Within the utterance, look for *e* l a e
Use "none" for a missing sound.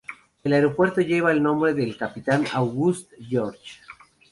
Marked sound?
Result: e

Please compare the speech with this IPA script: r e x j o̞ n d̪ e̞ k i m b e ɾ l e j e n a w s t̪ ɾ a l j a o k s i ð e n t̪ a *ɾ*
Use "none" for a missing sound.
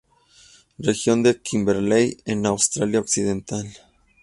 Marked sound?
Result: l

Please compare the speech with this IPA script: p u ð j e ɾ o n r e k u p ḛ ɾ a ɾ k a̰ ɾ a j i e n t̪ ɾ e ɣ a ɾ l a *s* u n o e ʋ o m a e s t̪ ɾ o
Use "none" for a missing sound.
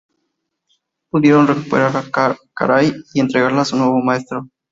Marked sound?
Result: s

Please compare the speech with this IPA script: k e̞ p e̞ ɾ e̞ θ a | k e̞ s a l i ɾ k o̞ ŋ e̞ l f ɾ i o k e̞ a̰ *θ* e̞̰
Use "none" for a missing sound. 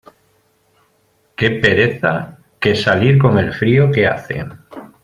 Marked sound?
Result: θ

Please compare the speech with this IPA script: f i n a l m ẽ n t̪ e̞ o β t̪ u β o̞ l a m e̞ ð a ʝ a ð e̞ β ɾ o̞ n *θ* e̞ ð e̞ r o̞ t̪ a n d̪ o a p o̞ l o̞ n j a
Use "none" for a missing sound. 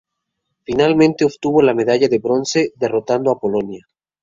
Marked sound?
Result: s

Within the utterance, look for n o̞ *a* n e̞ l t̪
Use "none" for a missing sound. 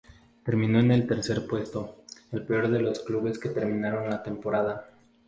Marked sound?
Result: e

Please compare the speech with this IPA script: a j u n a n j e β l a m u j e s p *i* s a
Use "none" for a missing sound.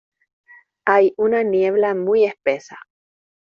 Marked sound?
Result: e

